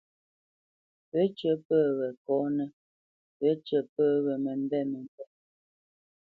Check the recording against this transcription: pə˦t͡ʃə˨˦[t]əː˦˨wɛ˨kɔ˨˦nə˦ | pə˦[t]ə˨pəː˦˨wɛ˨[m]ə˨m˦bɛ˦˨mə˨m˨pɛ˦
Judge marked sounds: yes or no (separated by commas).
no, no, yes